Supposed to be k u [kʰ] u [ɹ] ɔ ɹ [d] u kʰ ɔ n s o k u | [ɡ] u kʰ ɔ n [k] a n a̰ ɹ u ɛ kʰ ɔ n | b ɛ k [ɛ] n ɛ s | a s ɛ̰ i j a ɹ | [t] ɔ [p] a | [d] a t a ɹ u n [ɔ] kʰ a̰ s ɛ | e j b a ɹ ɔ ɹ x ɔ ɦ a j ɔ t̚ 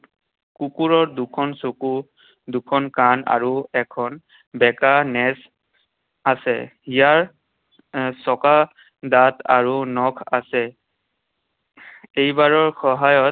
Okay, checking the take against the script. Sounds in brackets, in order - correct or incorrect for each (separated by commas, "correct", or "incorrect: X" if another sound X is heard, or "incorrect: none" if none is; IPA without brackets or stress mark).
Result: incorrect: k, correct, correct, incorrect: d, correct, incorrect: a, incorrect: s, incorrect: k, correct, correct